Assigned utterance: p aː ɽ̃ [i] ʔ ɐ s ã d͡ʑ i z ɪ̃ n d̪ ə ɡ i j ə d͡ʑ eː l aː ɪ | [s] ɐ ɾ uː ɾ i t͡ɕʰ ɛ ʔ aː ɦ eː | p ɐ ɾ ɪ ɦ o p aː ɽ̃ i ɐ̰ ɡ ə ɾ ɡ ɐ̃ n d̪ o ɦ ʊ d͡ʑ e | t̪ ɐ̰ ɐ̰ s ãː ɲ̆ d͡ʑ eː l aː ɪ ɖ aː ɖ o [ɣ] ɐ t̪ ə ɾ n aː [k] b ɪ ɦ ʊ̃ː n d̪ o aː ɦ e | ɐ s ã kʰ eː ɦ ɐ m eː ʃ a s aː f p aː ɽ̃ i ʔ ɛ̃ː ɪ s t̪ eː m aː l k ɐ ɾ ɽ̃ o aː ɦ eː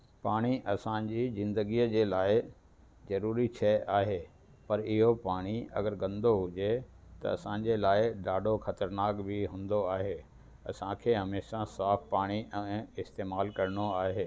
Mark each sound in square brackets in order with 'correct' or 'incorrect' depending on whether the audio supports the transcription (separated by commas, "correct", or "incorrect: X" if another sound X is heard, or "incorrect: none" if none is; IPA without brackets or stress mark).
correct, incorrect: z, incorrect: x, correct